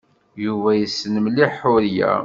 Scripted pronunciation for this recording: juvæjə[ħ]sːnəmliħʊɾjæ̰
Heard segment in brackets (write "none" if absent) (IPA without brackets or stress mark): none